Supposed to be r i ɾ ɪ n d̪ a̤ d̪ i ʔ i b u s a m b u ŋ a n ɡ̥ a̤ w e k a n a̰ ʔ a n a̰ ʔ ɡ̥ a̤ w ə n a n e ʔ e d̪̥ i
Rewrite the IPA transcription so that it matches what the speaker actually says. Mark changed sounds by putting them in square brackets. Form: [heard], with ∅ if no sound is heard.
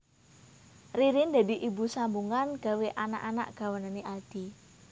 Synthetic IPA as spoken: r i ɾ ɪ n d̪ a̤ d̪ i ʔ i b u s a m b u ŋ a n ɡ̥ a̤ w e [ʔ] a n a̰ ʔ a n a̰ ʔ ɡ̥ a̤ w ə n a n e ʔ [a] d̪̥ i